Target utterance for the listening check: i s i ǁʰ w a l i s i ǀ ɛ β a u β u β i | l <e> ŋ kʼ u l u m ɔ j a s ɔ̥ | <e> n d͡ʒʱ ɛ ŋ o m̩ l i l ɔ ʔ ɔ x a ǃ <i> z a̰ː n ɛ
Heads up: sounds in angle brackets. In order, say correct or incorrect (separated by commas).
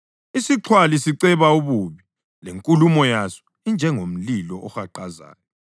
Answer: correct, incorrect, incorrect